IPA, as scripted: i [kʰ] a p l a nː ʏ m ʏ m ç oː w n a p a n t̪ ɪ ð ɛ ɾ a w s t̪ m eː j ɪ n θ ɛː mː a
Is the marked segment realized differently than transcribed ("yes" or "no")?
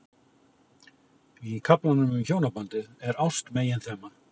no